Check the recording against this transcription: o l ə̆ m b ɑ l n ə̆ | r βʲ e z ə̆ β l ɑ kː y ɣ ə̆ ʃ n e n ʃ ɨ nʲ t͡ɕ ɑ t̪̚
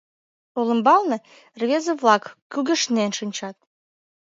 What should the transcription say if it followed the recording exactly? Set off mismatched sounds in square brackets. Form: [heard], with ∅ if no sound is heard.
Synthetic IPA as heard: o l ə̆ m b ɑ l n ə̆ | r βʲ e z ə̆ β l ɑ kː y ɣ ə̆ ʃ n e n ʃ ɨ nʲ t͡ɕ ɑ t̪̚